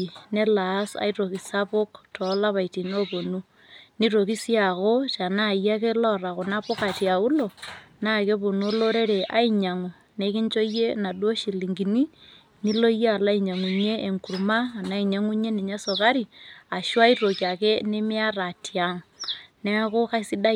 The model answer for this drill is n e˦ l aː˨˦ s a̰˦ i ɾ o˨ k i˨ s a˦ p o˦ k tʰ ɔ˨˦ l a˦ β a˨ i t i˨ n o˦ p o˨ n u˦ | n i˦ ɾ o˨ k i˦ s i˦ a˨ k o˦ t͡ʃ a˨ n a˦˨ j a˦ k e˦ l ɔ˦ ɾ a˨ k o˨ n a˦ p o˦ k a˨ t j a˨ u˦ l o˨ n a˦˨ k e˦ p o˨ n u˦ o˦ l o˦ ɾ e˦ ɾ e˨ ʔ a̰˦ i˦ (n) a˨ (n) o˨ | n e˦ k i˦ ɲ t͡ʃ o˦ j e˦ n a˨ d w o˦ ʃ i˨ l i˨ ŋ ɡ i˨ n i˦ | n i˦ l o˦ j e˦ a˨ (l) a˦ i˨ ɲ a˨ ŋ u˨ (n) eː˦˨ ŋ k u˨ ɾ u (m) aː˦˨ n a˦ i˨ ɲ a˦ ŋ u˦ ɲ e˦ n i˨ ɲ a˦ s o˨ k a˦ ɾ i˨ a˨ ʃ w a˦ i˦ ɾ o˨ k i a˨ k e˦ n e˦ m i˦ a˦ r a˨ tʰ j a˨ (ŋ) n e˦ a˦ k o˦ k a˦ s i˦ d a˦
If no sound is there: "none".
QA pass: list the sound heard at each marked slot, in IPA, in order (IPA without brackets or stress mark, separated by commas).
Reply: ɲ, ŋ, l, ɲ, m, ŋ